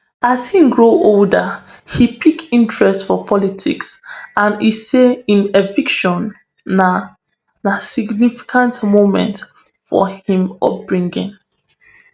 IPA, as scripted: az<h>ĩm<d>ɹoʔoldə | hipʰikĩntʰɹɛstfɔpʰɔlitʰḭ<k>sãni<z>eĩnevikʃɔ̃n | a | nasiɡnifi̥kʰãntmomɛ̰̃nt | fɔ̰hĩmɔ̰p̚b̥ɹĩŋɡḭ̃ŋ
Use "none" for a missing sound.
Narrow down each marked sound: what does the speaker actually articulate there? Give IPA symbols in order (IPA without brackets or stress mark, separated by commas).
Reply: h, ɡ, k, s